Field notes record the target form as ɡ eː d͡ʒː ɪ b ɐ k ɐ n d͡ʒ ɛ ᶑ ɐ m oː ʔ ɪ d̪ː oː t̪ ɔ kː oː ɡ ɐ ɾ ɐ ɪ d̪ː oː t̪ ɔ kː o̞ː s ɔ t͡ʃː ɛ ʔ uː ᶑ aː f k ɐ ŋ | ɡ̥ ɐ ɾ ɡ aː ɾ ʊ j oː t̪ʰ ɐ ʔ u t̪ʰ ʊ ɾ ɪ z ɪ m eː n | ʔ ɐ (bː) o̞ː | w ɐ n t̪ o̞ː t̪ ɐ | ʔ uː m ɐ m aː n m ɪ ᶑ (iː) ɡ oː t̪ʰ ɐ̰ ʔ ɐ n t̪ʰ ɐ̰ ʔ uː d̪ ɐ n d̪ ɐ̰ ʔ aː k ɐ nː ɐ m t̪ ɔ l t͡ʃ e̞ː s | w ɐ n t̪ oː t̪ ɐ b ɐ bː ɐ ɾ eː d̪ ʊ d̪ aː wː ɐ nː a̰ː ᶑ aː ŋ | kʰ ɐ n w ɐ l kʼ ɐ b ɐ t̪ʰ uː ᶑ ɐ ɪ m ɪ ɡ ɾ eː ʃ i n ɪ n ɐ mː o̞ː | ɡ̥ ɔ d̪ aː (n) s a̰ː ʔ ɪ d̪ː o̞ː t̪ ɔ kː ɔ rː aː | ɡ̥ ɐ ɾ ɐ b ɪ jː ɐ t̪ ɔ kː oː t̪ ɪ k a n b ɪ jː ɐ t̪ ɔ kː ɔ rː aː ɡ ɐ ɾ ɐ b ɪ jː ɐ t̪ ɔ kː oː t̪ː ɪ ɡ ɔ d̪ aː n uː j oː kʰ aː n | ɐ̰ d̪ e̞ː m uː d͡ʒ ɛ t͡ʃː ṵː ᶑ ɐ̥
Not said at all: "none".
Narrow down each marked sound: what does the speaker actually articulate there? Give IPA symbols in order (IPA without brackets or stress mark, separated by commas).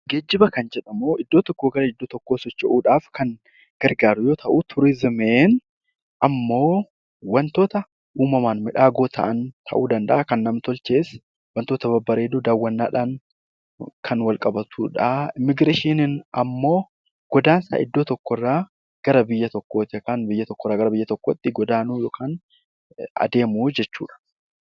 mː, aː, n